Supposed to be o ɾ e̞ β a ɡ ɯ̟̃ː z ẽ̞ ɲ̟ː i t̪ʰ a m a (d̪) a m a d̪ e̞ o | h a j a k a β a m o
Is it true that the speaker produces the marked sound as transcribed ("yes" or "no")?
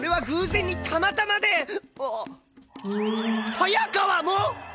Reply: no